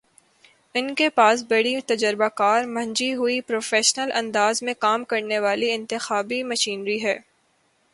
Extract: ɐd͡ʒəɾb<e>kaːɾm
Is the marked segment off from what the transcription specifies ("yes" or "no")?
yes